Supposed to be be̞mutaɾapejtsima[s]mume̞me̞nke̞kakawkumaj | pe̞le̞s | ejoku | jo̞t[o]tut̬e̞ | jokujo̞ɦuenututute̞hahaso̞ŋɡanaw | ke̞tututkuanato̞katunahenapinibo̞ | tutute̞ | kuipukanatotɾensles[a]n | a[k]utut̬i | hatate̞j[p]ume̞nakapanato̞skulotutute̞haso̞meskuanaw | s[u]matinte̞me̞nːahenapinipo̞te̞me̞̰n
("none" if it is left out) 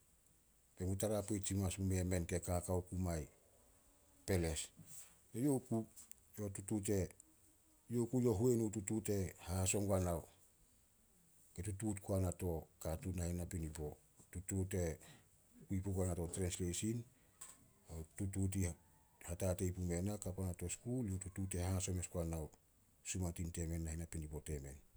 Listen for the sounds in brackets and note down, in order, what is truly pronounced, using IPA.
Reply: s, u, i, t, p, u

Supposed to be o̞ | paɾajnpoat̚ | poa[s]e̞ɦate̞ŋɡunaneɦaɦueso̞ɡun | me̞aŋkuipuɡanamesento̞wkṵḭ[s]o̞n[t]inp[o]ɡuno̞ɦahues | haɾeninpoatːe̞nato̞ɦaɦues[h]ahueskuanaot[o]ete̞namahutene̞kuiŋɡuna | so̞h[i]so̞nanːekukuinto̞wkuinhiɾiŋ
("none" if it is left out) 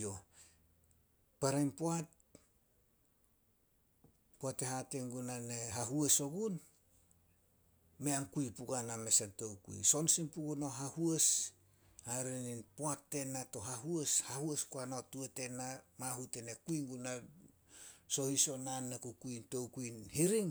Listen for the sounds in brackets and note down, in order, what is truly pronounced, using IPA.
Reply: t, s, s, u, h, u, i

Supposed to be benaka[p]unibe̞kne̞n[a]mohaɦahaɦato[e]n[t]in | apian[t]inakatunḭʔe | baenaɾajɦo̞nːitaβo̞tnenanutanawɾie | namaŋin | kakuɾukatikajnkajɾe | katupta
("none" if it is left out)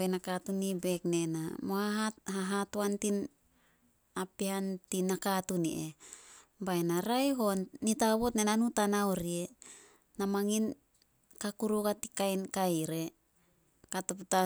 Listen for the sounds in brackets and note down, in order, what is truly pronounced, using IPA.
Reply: t, a, a, t, t

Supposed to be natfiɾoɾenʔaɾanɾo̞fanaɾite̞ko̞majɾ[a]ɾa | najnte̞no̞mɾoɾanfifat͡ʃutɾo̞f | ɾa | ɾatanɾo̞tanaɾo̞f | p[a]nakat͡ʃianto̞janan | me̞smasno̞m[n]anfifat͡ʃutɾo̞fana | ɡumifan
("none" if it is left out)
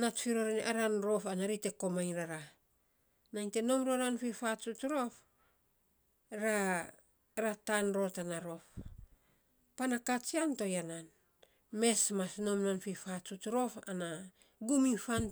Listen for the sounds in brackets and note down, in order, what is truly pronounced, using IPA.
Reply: a, a, n

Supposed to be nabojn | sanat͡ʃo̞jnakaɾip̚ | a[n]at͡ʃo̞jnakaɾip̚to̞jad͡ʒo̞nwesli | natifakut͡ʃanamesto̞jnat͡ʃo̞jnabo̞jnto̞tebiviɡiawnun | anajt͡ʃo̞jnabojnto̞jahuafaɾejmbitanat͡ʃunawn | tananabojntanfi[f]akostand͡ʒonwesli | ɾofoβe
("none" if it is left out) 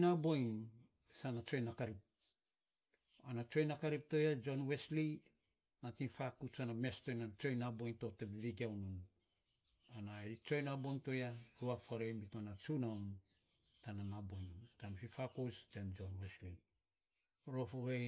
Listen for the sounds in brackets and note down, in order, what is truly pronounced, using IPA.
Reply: n, f

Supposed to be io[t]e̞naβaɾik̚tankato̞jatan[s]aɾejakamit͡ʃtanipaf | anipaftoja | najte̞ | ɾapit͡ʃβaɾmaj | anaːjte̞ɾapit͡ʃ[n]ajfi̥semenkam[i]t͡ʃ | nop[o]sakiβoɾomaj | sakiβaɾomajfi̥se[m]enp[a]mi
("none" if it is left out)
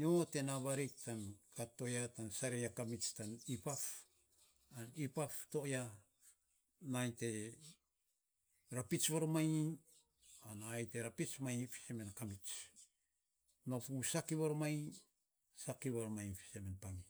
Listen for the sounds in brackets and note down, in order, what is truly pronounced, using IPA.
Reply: t, s, m, i, u, m, a

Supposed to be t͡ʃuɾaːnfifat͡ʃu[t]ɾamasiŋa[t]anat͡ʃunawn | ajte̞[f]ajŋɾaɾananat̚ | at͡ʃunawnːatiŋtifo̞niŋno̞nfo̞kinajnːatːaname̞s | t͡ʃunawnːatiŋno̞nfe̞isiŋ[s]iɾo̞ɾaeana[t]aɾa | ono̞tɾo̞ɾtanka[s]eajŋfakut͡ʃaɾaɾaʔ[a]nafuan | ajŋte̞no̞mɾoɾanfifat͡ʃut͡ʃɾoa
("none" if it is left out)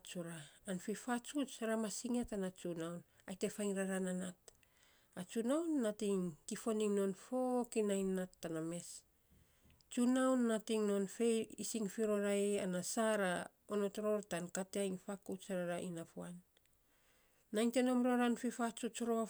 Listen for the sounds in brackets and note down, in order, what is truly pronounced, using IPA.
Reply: t͡ʃ, t, f, f, s, t, i

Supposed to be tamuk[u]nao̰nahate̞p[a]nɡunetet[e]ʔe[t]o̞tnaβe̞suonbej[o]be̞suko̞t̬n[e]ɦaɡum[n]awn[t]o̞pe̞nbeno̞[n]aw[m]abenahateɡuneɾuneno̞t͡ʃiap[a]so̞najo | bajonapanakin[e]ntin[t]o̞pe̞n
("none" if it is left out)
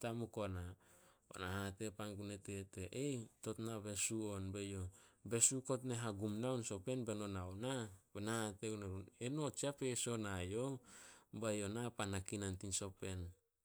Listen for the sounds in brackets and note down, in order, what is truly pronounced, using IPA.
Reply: o, a, e, t, o, e, n, s, n, n, e, a, s

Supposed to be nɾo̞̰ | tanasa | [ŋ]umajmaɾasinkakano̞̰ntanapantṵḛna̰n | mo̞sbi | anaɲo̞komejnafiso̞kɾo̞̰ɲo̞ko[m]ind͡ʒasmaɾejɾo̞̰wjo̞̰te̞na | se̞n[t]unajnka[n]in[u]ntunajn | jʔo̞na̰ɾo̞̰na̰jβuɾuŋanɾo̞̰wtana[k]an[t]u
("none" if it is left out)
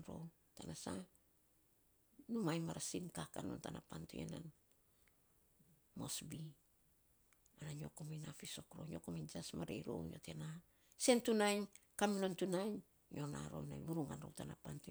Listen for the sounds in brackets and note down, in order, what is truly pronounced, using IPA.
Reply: n, m, t, m, o, p, t

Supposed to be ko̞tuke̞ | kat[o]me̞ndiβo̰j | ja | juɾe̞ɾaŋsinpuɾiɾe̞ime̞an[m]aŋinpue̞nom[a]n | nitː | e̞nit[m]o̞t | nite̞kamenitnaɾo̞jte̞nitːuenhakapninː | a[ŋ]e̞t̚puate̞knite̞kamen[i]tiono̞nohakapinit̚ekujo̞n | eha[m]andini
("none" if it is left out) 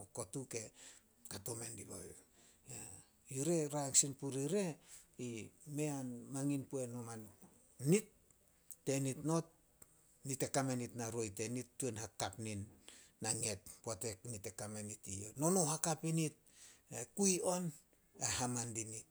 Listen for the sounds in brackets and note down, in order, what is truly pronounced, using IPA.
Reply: o, m, a, n, ŋ, i, m

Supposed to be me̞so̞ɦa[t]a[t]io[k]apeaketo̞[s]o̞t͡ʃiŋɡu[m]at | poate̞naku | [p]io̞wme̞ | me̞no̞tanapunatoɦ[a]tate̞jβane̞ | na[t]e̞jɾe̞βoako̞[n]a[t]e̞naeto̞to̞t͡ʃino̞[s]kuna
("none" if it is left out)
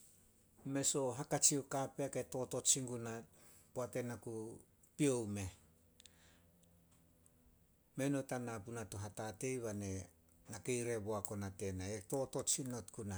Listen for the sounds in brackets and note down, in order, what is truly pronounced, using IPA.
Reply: k, t͡ʃ, k, t, n, p, a, k, n, t, t

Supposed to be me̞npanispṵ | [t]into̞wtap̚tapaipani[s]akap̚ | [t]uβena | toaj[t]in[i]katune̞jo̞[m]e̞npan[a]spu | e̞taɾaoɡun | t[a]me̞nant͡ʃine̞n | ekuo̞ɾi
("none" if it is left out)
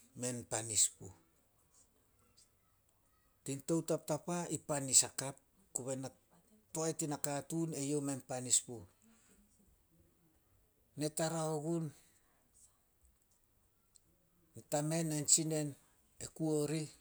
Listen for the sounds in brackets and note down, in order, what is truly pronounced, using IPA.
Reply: t, s, k, t, a, m, i, a

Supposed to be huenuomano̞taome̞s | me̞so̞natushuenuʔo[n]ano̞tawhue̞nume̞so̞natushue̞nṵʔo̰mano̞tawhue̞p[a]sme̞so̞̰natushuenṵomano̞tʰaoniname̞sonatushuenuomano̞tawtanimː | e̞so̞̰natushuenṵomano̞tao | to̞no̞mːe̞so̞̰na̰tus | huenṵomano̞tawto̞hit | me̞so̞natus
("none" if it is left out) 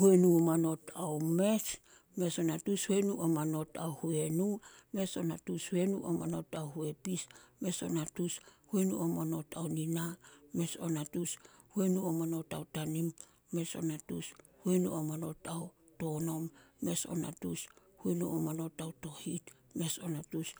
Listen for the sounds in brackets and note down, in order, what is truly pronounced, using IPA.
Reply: m, i

